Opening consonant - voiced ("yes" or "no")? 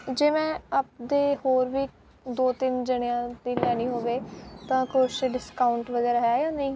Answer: yes